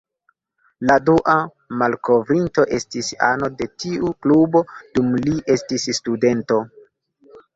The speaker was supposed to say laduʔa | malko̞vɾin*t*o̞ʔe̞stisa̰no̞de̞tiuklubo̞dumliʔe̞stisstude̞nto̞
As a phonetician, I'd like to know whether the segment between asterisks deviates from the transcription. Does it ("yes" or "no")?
no